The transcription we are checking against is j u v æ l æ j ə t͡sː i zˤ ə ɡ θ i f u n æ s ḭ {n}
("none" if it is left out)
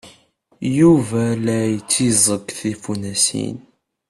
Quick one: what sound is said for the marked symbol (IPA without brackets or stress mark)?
n